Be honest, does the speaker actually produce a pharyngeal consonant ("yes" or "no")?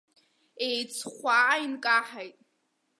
yes